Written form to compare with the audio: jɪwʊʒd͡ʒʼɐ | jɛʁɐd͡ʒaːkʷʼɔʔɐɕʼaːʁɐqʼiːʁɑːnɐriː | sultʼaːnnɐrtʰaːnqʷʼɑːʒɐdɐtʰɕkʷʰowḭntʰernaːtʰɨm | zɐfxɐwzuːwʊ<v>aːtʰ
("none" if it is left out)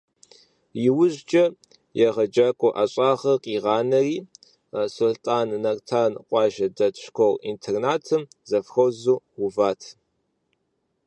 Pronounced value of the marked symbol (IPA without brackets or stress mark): v